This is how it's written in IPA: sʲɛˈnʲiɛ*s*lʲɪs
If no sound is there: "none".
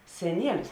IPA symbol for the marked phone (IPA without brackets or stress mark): none